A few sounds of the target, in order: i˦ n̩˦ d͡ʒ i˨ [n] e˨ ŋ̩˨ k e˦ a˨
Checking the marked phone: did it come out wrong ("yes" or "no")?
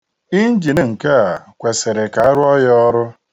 no